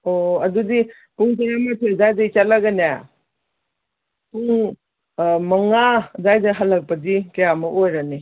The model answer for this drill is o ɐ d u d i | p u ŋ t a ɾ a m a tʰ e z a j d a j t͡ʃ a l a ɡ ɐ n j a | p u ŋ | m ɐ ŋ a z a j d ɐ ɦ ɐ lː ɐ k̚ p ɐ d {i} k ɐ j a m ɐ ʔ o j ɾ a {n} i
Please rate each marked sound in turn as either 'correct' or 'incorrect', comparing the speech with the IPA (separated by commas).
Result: correct, correct